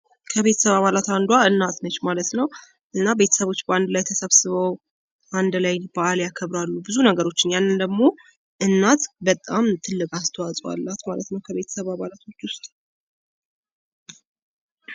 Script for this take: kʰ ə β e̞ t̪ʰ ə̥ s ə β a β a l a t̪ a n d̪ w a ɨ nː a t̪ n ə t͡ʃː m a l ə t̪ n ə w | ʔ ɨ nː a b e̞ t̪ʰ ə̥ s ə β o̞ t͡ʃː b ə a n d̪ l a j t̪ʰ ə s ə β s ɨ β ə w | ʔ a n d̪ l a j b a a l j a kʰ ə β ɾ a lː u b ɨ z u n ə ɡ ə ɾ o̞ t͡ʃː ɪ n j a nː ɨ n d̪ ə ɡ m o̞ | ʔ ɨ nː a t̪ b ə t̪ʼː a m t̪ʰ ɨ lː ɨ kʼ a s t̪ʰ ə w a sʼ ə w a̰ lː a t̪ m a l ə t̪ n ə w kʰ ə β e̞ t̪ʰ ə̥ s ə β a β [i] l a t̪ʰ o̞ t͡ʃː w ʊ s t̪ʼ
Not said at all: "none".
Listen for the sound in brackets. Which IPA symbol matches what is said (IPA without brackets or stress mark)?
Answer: a